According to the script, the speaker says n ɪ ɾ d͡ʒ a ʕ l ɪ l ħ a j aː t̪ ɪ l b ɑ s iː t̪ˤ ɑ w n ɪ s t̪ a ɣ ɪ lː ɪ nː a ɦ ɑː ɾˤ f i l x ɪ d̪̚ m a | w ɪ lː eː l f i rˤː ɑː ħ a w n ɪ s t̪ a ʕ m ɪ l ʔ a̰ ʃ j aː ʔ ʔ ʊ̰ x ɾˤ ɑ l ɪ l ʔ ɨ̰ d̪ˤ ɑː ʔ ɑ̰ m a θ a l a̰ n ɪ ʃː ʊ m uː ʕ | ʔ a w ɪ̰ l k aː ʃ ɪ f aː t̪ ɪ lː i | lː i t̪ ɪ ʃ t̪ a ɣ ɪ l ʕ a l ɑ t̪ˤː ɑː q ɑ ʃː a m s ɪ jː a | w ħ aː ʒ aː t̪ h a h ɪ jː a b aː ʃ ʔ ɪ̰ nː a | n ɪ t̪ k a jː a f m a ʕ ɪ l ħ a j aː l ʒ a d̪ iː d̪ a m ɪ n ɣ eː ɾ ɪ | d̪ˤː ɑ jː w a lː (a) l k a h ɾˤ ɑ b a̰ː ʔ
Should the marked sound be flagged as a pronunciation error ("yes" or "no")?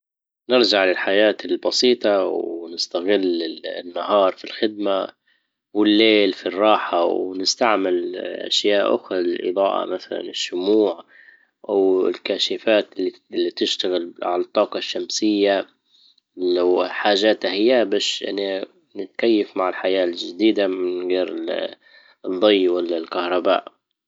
no